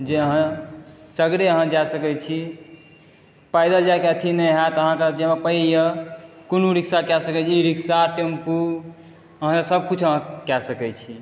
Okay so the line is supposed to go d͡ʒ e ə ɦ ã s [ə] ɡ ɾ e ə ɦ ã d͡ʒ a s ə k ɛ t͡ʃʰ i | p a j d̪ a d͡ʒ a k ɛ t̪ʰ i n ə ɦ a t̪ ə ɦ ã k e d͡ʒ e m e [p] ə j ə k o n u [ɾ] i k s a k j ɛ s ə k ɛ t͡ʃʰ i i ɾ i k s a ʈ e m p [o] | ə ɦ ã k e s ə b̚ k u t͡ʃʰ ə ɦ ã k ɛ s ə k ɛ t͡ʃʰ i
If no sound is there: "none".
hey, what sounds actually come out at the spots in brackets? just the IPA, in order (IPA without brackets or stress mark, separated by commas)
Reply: ə, p, ɾ, u